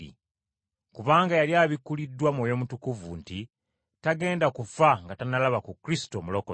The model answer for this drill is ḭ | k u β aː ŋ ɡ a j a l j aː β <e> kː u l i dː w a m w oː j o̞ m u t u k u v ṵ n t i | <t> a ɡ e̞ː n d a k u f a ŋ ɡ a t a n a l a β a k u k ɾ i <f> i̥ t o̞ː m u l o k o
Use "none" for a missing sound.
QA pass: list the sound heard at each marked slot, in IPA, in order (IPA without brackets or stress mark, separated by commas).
i, t, s